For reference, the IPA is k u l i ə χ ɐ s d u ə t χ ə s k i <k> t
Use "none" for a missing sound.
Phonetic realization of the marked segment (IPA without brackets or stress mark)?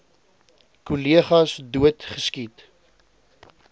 none